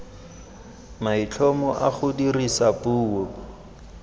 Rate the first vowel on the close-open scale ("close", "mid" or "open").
open